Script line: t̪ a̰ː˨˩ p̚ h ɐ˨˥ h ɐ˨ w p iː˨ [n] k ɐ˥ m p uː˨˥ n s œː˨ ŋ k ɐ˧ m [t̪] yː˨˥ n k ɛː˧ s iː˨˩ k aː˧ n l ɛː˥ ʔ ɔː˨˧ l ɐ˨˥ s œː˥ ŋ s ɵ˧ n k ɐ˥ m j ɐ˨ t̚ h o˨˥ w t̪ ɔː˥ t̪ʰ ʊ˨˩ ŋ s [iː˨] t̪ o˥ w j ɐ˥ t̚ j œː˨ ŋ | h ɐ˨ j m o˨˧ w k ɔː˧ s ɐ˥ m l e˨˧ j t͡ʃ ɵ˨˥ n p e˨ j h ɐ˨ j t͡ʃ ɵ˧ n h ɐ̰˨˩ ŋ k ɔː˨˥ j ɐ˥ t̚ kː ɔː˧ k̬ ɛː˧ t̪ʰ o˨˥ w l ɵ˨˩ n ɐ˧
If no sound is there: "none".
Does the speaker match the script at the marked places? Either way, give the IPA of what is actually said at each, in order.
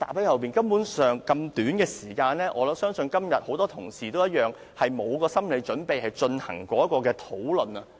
n, t̪, iː˨

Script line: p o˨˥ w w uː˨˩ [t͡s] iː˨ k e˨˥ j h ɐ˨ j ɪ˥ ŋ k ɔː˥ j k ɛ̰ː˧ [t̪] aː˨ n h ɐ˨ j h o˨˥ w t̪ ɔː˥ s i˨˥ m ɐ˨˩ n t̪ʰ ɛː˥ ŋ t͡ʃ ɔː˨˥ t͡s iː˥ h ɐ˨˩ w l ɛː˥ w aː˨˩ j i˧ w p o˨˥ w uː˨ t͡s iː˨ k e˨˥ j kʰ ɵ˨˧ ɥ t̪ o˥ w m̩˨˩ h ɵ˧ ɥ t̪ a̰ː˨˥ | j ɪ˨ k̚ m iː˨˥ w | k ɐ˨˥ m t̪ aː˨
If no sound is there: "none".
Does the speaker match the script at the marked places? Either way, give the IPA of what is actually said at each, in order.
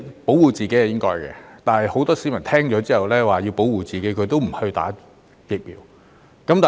t͡s, t̪

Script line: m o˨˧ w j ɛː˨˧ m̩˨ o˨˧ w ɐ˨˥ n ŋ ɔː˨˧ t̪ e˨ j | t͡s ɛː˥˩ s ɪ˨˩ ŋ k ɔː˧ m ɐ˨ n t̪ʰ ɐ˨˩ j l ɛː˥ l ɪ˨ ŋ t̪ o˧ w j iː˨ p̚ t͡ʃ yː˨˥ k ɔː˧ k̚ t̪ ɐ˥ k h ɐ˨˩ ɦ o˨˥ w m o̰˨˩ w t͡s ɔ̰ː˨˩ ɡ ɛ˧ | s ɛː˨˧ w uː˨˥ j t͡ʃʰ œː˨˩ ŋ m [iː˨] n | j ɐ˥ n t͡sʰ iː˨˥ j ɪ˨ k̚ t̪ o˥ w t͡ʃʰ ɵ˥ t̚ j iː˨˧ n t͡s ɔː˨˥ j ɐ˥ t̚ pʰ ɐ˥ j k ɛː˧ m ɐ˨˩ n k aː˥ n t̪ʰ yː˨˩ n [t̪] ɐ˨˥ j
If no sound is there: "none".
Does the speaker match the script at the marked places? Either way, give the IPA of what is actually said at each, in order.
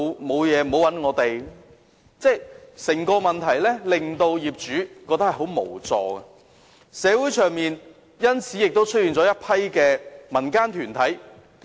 iː˨, t̪ʰ

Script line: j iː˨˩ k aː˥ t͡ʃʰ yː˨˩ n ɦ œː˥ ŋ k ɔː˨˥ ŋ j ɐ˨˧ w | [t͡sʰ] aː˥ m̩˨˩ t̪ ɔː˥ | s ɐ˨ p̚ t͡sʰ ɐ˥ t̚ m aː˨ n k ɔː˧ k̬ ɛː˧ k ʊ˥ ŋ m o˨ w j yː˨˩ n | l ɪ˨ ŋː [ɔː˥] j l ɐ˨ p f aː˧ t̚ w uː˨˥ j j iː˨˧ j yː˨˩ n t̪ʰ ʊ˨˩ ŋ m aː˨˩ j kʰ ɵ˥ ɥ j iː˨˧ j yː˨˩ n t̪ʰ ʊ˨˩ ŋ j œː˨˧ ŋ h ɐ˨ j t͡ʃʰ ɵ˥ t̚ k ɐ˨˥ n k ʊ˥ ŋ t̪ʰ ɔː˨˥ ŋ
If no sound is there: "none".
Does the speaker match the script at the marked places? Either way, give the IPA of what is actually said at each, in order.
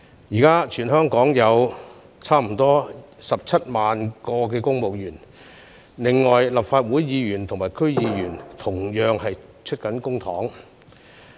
t͡sʰ, ɔː˨

